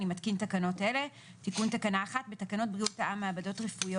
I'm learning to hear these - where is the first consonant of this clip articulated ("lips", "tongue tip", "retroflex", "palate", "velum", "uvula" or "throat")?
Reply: tongue tip